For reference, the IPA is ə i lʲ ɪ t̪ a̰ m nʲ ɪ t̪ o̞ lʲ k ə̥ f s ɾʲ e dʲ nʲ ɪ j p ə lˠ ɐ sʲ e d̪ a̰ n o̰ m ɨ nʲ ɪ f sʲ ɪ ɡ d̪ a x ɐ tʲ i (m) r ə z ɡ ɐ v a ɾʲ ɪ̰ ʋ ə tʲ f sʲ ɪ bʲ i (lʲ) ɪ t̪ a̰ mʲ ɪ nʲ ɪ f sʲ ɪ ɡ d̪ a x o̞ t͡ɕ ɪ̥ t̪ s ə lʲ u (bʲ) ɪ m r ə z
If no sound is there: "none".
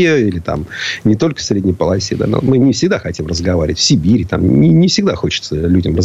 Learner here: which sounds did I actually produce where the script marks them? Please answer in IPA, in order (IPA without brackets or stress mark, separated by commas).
m, ɾʲ, dʲ